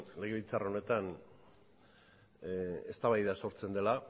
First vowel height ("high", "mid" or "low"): mid